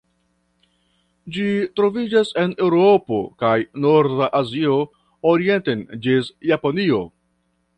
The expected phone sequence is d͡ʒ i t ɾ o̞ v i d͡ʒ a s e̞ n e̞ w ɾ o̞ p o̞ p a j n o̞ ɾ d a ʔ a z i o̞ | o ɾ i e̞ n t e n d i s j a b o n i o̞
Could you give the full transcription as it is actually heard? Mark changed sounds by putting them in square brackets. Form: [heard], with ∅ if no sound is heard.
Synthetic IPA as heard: d͡ʒ i t ɾ o̞ v i d͡ʒ a s e̞ n e̞ w ɾ o̞ p o̞ [k] a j n o̞ ɾ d a ʔ a z i o̞ | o ɾ i e̞ n t e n [d͡ʒ] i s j a [p] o n i o̞